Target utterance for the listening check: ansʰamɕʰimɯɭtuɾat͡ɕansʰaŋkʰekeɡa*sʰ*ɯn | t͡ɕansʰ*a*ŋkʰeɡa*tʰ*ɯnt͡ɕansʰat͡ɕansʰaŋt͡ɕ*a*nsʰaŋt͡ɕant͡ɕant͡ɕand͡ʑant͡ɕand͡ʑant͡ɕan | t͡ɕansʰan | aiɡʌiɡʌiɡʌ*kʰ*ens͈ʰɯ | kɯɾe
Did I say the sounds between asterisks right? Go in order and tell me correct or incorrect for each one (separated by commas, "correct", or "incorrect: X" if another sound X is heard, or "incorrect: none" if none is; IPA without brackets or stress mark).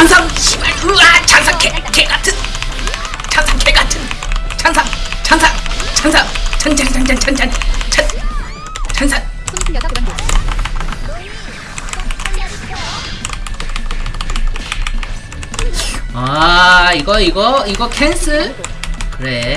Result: incorrect: tʰ, correct, correct, correct, correct